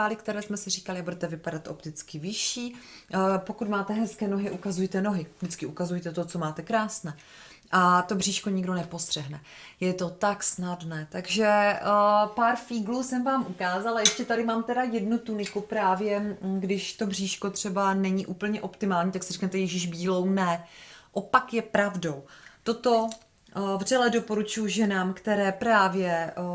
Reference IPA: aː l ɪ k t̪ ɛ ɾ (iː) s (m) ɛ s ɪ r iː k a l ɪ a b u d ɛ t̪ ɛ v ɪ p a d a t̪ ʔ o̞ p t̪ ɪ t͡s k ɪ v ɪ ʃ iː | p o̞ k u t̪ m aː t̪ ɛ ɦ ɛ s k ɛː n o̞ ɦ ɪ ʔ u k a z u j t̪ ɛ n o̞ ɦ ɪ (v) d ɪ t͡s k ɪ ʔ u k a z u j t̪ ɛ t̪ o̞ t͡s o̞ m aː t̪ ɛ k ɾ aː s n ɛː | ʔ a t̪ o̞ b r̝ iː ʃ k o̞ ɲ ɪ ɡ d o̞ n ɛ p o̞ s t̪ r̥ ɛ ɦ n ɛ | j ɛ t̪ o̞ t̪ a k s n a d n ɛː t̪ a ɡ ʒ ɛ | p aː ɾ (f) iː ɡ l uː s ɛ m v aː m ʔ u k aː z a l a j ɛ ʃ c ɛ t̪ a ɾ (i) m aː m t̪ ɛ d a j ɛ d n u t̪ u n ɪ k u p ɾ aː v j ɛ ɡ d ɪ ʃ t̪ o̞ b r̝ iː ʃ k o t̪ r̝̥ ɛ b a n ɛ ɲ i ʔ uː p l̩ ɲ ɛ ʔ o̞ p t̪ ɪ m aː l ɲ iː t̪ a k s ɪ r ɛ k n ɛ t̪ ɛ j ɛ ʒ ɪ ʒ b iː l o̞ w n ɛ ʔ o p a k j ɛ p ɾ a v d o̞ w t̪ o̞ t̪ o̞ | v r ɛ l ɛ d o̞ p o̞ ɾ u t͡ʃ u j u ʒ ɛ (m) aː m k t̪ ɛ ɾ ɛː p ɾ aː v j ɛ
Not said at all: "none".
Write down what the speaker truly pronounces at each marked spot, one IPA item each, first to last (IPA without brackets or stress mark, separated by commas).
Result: ɛː, m, v, f, ɪ, n